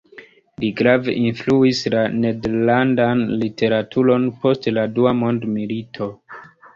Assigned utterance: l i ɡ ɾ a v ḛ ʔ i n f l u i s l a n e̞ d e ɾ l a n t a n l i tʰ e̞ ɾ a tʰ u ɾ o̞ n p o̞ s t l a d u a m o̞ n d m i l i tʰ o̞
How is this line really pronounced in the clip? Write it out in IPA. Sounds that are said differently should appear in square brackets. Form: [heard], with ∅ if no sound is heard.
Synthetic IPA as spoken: l i ɡ ɾ a v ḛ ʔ i n f l u i s l a n e̞ d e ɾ l a n [d] a n l i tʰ e̞ ɾ a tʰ u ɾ o̞ n p o̞ s t l a d u a m o̞ n d m i l i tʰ o̞